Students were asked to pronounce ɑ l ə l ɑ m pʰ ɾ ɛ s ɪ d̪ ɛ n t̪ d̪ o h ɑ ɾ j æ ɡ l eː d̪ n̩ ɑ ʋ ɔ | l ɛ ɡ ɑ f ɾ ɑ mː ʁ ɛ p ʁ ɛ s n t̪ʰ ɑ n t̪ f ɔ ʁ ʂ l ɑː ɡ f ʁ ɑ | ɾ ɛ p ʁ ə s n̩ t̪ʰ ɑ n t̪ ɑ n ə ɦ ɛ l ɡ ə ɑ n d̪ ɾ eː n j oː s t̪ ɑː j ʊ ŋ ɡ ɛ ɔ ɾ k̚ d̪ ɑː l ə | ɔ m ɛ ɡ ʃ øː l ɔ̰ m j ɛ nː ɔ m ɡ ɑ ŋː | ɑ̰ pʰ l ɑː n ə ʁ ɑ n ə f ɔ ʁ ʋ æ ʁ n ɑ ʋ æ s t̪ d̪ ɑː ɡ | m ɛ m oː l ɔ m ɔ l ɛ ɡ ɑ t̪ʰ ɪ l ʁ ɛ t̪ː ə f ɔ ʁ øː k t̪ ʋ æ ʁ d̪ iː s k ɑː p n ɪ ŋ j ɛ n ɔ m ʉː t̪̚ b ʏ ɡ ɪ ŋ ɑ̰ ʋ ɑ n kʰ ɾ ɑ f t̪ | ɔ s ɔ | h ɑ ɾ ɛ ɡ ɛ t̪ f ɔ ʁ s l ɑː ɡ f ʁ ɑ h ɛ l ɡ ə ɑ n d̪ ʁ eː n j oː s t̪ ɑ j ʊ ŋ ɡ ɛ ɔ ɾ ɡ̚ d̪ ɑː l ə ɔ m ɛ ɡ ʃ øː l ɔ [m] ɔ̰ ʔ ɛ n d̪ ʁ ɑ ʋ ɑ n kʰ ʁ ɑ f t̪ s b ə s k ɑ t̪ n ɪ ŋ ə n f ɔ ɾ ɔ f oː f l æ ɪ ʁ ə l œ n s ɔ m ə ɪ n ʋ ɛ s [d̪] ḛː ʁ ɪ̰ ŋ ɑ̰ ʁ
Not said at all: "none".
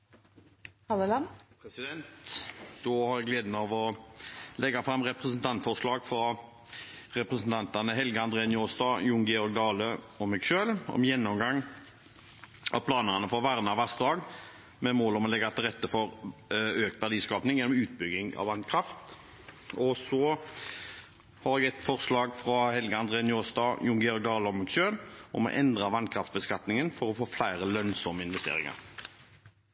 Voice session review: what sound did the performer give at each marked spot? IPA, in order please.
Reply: m, t̪

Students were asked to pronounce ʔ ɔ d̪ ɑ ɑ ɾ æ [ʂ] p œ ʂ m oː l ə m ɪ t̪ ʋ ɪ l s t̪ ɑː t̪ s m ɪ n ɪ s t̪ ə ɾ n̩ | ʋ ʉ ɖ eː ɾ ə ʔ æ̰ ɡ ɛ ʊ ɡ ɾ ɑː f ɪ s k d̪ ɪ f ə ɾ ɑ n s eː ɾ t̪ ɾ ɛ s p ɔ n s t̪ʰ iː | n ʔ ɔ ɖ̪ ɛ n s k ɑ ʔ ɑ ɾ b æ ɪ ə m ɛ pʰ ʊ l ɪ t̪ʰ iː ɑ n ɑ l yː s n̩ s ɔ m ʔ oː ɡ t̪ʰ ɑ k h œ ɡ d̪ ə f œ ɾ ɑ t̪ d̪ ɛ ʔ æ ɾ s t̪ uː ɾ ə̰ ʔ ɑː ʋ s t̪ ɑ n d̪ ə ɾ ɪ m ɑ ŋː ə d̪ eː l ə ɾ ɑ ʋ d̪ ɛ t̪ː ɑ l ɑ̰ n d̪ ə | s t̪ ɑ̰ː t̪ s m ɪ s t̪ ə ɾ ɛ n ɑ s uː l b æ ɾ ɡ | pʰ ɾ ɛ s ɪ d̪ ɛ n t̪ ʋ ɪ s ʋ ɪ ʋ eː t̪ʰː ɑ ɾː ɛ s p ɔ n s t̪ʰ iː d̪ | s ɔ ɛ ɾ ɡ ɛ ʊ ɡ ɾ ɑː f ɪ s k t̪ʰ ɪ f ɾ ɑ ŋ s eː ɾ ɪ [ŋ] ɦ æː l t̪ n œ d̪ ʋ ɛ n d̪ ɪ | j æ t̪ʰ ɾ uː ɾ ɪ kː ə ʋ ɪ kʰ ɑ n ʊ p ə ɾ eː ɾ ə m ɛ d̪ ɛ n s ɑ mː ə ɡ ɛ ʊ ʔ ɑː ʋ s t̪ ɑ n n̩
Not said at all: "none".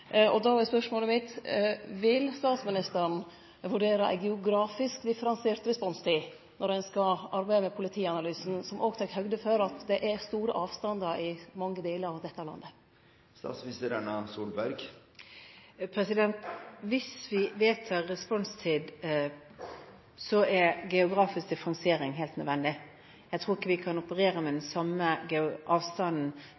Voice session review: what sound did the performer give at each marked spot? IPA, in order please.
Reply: s, ŋ

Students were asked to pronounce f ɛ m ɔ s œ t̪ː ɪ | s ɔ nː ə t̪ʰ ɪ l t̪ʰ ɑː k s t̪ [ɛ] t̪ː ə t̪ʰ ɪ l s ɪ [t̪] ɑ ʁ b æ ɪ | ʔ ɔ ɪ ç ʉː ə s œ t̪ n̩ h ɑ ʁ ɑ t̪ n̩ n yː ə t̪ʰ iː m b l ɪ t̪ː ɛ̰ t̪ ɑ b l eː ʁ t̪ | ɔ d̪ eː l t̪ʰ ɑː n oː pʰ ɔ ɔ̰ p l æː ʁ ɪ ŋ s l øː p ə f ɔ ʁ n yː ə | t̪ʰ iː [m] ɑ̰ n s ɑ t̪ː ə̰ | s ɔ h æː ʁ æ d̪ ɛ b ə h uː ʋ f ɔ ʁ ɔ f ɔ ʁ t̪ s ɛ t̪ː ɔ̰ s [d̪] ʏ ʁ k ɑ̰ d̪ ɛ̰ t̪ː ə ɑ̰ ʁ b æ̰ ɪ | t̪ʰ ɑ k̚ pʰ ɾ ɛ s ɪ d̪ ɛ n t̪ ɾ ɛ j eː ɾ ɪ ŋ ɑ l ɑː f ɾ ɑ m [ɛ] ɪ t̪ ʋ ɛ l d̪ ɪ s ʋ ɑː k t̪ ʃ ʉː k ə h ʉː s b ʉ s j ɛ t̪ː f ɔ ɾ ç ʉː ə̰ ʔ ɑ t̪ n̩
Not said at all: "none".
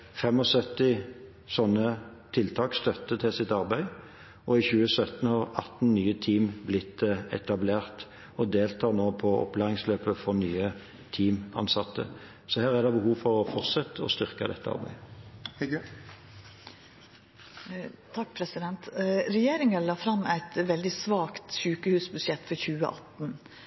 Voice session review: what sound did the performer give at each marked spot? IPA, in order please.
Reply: œ, t̪, m, t̪, æ

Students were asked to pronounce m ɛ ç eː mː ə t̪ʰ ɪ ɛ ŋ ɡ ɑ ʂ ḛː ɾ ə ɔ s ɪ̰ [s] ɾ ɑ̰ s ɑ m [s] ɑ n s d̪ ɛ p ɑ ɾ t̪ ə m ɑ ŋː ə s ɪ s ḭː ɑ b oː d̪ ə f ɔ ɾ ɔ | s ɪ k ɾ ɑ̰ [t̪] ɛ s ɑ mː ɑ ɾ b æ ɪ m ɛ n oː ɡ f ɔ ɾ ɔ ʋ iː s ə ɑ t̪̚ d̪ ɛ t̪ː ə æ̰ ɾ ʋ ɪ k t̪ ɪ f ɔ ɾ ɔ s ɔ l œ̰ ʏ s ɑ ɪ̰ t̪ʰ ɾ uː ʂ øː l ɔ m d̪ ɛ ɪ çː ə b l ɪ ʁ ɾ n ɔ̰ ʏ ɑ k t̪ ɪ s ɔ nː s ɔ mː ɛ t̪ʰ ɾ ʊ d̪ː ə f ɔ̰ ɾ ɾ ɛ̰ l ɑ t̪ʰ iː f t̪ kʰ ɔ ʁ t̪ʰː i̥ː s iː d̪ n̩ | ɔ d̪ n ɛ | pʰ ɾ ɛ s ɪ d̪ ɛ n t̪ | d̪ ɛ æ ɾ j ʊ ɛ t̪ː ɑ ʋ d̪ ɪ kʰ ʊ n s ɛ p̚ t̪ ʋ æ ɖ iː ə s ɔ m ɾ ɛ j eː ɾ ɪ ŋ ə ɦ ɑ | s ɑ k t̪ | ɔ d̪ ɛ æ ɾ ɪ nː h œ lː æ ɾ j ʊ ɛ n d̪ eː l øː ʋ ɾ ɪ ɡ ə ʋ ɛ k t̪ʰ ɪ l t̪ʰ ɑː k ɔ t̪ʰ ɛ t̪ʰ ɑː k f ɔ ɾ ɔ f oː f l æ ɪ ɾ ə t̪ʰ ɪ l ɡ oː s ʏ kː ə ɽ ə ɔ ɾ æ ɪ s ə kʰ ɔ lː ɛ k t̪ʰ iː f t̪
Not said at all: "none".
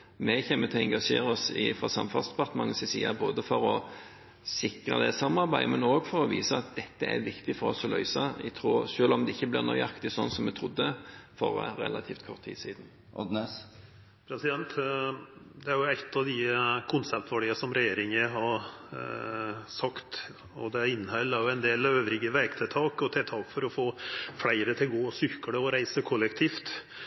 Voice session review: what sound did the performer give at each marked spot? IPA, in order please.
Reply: f, f, d̪

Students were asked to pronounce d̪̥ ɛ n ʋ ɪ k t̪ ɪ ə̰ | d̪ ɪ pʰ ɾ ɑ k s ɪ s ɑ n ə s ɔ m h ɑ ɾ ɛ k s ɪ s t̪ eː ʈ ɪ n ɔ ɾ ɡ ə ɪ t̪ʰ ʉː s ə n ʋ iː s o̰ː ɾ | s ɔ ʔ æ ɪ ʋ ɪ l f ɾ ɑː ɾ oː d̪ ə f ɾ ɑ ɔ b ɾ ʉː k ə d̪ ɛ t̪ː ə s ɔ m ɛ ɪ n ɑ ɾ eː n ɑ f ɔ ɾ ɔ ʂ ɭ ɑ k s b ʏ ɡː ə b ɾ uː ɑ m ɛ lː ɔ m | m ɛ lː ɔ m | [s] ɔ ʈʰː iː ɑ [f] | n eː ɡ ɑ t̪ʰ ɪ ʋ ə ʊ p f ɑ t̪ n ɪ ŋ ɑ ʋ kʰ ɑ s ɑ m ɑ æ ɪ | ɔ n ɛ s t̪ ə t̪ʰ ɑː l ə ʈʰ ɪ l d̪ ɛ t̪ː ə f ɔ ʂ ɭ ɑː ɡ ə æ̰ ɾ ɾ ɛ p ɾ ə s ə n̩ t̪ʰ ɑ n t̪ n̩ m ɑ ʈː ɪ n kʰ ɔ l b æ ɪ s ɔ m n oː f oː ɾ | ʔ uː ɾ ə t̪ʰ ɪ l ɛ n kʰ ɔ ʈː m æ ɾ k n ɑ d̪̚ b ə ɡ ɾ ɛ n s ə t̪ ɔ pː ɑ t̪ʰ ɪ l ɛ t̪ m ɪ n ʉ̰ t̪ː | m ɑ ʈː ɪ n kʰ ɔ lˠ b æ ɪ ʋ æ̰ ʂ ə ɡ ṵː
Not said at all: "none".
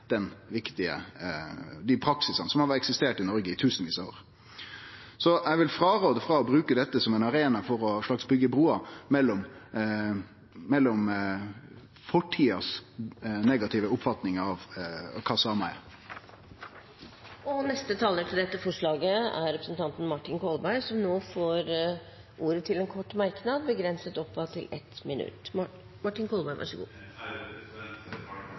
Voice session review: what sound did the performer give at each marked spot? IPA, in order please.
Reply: f, s

